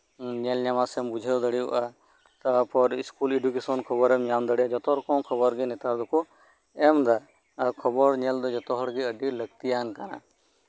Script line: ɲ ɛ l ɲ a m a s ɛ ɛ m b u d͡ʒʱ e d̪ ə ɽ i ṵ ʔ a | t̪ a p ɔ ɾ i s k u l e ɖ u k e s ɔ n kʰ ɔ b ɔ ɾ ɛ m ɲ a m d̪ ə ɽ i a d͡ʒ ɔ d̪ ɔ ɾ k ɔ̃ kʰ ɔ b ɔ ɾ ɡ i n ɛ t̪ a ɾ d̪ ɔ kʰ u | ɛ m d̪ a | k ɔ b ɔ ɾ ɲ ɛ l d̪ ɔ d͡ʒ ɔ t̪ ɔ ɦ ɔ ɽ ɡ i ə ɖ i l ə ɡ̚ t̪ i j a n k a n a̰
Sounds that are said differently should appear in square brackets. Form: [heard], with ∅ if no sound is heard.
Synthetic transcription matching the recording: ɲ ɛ l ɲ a m a s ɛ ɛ m b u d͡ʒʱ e d̪ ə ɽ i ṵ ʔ a | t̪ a p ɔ ɾ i s k u l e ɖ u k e s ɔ n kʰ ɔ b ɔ ɾ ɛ m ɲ a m d̪ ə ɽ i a d͡ʒ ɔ [t̪] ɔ ɾ k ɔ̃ kʰ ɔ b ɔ ɾ ɡ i n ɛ t̪ a ɾ d̪ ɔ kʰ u | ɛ m d̪ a | [kʰ] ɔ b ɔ ɾ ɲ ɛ l d̪ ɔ d͡ʒ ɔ t̪ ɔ ɦ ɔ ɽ ɡ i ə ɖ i l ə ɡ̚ t̪ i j a n k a n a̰